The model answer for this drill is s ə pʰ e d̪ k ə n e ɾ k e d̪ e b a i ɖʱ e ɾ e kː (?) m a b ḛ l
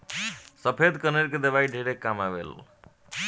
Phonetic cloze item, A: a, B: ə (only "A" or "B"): A